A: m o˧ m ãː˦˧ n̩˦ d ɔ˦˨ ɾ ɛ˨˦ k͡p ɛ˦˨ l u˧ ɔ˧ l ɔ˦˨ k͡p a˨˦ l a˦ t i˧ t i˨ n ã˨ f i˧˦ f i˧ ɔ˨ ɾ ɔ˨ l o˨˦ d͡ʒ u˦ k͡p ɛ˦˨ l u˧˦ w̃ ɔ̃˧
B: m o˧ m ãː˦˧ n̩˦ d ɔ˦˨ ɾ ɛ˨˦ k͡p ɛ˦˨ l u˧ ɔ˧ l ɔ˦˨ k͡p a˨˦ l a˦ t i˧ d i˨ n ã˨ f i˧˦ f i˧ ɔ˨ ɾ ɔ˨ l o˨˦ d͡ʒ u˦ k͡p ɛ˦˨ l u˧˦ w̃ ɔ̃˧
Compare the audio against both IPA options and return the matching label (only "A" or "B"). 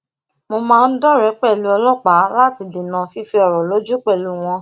B